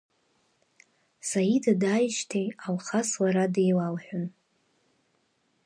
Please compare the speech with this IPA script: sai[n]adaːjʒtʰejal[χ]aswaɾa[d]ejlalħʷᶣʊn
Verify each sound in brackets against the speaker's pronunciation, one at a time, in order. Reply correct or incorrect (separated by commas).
incorrect, correct, correct